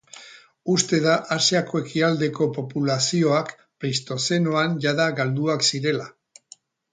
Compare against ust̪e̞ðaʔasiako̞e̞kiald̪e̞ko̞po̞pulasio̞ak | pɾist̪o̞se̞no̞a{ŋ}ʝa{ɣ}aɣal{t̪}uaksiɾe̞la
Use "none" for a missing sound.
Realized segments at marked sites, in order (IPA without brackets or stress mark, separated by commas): n, ð, d̪